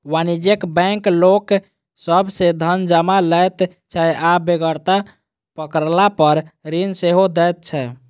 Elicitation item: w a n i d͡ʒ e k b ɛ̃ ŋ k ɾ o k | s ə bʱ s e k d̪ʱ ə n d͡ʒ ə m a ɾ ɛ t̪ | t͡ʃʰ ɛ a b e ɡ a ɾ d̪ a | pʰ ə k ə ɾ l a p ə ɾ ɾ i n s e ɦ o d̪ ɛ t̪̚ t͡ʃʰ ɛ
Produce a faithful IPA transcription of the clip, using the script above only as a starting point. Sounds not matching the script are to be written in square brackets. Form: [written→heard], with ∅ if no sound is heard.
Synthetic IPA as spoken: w a n i d͡ʒ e k b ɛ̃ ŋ k [ɾ→l] o k | s ə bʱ s e [k→∅] d̪ʱ ə n d͡ʒ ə m a [ɾ→l] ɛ t̪ | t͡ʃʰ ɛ a b e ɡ [a→ə] ɾ [d̪→t̪] a | [pʰ→p] ə k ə ɾ l a p ə ɾ ɾ i n s e ɦ o d̪ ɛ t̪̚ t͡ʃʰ ɛ

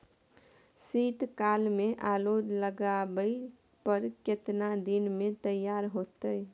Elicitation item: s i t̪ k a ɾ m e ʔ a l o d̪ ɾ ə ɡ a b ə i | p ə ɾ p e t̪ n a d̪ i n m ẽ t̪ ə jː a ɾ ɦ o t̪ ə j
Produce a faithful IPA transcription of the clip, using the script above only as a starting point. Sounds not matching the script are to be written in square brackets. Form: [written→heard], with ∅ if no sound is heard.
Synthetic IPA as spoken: s i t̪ k a [ɾ→l] m e ʔ a l o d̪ [ɾ→l] ə ɡ a b ə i | p ə ɾ [p→k] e t̪ n a d̪ i n m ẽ t̪ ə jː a ɾ ɦ o t̪ ə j

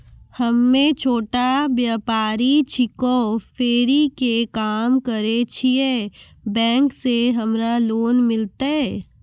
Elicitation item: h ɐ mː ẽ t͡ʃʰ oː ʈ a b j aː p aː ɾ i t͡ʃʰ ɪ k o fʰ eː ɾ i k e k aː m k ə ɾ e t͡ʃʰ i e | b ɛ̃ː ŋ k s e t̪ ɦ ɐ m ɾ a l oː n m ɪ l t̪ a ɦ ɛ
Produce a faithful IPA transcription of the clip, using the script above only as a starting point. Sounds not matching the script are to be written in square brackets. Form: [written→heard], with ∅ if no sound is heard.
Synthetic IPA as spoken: h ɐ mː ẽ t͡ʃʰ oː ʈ a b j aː p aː ɾ i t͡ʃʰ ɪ k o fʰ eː ɾ i k e k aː m k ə ɾ e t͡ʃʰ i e | b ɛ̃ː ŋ k s e [t̪→∅] ɦ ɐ m ɾ a l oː n m ɪ l t̪ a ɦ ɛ

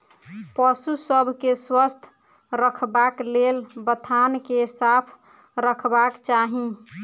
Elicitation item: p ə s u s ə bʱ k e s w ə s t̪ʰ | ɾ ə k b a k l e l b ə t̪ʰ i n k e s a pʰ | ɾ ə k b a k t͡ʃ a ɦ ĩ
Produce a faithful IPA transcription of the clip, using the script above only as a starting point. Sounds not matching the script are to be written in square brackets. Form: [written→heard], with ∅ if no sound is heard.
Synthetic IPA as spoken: p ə s u s ə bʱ k e s w ə s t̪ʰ | ɾ ə [k→kʰ] b a k l e l b ə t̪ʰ [i→a] n k e s a pʰ | ɾ ə [k→kʰ] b a k t͡ʃ a ɦ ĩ

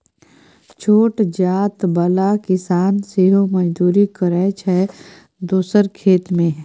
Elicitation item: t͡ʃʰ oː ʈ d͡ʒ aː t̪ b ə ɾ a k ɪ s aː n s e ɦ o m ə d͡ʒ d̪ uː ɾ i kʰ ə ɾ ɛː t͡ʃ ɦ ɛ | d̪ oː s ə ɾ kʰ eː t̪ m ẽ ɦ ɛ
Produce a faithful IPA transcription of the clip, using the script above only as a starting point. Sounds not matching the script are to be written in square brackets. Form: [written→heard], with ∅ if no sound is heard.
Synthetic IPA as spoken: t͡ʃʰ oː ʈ d͡ʒ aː t̪ b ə [ɾ→l] a k ɪ s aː n s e ɦ o m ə d͡ʒ d̪ uː ɾ i [kʰ→k] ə ɾ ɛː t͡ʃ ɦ ɛ | d̪ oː s ə ɾ kʰ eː t̪ m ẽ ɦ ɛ

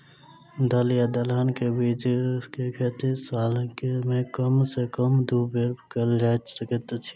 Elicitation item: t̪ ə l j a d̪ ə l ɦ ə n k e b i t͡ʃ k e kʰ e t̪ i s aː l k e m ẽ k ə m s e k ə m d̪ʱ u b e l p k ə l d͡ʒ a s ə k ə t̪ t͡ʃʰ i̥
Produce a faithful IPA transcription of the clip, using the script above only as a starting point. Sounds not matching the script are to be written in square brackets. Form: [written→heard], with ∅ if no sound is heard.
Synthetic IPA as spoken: [t̪→d̪] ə l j a d̪ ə l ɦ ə n k e b i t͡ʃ k e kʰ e t̪ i s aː l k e m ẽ k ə m s e k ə m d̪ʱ u b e [l→ɾ] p k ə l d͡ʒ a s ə k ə t̪ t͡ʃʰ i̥

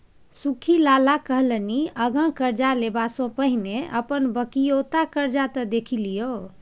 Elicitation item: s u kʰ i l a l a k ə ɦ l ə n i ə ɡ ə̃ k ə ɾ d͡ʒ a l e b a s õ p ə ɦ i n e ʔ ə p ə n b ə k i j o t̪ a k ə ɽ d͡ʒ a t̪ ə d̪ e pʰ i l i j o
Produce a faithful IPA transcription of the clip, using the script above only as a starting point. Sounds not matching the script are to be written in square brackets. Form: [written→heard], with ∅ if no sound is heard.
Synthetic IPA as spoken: s u kʰ i l a l a k ə ɦ l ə n i ə ɡ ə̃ k ə ɾ d͡ʒ a l e b a s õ p ə ɦ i n e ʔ ə p ə n b ə k i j o t̪ a k ə [ɽ→ɾ] d͡ʒ a t̪ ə d̪ e [pʰ→kʰ] i l i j o

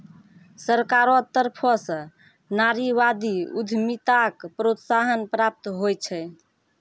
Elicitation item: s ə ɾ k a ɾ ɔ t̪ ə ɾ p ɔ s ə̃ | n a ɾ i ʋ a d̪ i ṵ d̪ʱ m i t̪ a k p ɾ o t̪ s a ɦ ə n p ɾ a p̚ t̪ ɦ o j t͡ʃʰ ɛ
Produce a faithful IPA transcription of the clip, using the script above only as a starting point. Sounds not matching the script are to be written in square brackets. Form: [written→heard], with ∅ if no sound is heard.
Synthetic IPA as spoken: s ə ɾ k a ɾ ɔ t̪ ə ɾ [p→pʰ] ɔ s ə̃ | n a ɾ i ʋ a d̪ i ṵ d̪ʱ m i t̪ a k p ɾ o t̪ s a ɦ ə n p ɾ a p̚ t̪ ɦ o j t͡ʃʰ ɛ

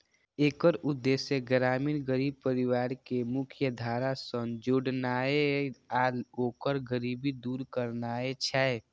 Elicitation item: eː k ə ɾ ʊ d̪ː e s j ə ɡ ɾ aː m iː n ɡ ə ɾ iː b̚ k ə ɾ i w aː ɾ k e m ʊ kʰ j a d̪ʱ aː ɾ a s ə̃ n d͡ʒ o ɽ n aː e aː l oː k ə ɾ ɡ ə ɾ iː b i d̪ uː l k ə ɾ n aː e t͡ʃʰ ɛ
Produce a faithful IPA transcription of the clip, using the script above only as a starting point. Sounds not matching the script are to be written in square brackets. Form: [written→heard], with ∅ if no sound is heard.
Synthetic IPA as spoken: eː k ə ɾ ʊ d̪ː e s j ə ɡ ɾ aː m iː n ɡ ə ɾ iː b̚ [k→p] ə ɾ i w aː ɾ k e m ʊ kʰ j [a→ə] d̪ʱ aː ɾ a s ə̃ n d͡ʒ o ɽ n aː e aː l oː k ə ɾ ɡ ə ɾ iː b i d̪ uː [l→ɾ] k ə ɾ n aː e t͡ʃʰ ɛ

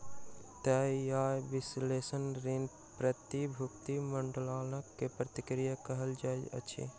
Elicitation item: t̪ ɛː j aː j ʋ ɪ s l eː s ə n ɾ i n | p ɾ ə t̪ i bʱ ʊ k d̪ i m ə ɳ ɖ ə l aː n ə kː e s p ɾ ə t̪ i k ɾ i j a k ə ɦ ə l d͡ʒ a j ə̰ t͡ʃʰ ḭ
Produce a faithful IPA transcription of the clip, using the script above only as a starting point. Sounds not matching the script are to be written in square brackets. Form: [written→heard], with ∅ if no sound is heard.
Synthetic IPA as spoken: t̪ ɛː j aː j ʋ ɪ s l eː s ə n ɾ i n | p ɾ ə t̪ i bʱ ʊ k [d̪→t̪] i m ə ɳ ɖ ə l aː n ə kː e [s→∅] p ɾ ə t̪ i k ɾ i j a k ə ɦ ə l d͡ʒ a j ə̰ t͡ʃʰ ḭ

